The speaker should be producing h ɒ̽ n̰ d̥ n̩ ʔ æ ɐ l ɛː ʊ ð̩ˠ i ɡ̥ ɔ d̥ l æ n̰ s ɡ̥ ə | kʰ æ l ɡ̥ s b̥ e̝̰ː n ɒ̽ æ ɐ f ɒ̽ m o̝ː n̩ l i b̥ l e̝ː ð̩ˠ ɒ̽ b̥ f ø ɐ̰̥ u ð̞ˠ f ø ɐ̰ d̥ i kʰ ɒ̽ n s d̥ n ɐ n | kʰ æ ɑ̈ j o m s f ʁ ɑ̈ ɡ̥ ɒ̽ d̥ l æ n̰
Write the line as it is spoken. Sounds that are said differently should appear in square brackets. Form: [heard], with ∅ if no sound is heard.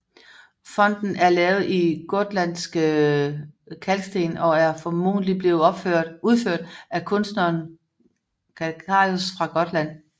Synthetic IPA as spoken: [f] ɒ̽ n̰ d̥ n̩ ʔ æ ɐ l ɛː ʊ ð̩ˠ i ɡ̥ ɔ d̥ l æ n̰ s ɡ̥ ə | kʰ æ l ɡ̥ s [d̥] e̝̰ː n ɒ̽ æ ɐ f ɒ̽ m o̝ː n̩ l i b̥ l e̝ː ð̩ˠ ɒ̽ b̥ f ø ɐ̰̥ u ð̞ˠ f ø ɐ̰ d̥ [æ] kʰ [ɔ̽] n s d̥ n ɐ n | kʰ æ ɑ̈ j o [∅] s f ʁ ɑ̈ ɡ̥ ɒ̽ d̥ l æ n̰